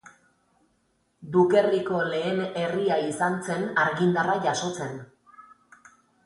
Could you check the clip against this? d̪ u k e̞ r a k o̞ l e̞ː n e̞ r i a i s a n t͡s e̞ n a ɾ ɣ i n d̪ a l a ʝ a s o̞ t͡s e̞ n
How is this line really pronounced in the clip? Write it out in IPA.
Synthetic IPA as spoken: d̪ u k e̞ r i k o̞ l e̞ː n e̞ r i a i s a n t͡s e̞ n a ɾ ɣ i n d̪ a r a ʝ a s o̞ t͡s e̞ n